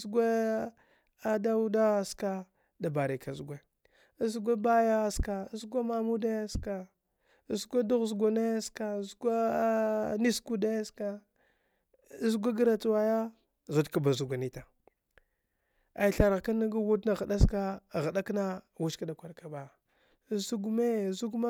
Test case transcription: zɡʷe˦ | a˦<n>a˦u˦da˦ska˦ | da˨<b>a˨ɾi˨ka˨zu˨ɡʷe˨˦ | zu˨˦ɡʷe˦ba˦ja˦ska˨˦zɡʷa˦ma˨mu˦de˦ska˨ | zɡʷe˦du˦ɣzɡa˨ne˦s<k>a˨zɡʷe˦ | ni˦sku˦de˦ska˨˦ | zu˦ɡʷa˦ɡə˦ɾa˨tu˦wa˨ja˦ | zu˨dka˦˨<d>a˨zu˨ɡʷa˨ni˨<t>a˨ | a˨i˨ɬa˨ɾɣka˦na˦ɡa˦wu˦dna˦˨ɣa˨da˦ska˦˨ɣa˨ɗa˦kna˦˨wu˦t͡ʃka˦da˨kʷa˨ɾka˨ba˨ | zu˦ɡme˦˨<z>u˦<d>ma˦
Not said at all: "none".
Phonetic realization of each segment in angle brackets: d, b, k, b, t, z, ɡ

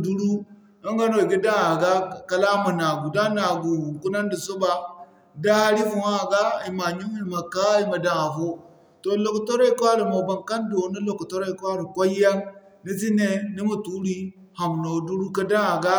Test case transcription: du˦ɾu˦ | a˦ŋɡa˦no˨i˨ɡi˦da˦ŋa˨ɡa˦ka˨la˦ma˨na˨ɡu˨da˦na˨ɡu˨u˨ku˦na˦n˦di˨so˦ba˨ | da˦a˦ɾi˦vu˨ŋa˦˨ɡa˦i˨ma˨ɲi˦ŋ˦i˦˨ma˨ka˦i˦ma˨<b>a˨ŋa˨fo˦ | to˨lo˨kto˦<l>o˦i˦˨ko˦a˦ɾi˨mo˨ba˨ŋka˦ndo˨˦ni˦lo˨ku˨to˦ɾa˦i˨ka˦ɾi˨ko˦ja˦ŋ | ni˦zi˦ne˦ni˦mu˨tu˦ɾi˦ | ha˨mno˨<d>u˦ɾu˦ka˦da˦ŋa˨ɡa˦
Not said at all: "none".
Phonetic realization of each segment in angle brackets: d, ɾ, d

